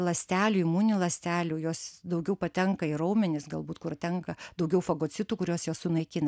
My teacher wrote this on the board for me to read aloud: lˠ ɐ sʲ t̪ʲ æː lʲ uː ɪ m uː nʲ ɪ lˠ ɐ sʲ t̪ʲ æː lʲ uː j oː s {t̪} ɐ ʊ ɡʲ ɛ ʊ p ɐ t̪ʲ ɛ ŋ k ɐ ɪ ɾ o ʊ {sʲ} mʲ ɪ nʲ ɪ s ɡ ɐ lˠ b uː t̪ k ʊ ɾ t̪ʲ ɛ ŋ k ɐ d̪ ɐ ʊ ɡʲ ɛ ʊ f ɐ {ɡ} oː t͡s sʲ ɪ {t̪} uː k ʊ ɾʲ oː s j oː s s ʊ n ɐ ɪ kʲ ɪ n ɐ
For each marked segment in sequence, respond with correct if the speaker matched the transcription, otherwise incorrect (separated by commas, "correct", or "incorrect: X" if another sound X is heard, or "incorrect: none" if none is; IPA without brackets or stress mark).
incorrect: d̪, incorrect: none, correct, correct